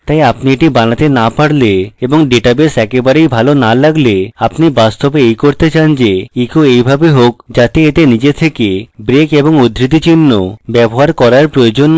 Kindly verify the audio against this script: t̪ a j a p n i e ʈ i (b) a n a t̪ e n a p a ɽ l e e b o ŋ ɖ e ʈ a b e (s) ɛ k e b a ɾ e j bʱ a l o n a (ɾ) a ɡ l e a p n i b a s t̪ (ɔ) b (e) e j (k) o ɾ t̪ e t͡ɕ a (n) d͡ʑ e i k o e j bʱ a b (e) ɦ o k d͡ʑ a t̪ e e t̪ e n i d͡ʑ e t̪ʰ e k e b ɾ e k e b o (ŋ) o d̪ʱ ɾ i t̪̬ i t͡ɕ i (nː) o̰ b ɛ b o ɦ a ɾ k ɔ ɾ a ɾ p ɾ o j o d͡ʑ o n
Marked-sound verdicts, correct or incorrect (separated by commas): correct, correct, incorrect, incorrect, correct, correct, correct, correct, correct, correct